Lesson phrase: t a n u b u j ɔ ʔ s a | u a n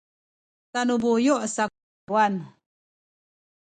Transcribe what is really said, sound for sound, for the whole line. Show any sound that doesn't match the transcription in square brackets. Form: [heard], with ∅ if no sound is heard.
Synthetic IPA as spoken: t a n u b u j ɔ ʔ s a | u a n